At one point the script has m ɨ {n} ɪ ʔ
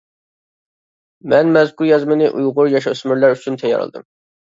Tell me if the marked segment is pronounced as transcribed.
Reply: yes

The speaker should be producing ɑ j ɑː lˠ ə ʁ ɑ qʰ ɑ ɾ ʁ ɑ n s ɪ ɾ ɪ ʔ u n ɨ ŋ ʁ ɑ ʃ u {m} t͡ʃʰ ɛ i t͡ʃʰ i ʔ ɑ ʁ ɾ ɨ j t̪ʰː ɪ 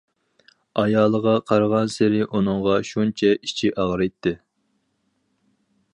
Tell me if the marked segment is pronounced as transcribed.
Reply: no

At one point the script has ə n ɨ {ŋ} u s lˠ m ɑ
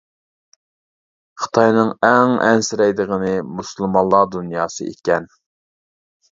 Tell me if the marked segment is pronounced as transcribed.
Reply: no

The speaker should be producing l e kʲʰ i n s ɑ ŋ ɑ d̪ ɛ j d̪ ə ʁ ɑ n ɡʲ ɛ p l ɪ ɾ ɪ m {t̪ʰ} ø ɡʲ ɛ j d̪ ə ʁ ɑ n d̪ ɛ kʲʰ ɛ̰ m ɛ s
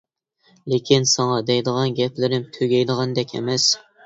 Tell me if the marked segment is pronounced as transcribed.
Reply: yes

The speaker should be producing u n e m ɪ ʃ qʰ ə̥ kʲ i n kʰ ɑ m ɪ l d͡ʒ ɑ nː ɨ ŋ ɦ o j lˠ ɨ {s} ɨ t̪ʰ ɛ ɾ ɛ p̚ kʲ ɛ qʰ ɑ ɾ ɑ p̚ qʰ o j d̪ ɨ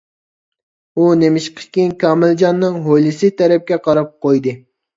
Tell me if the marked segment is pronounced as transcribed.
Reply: yes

